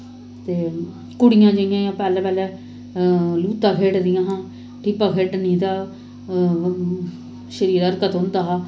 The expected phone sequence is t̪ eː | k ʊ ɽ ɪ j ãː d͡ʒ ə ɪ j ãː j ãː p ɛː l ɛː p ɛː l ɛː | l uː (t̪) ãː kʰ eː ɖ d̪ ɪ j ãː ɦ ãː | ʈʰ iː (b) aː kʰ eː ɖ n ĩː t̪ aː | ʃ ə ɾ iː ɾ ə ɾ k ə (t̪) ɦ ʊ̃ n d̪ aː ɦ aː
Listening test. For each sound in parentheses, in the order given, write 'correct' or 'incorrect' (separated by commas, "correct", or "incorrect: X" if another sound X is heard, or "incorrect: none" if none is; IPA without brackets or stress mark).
correct, incorrect: p, correct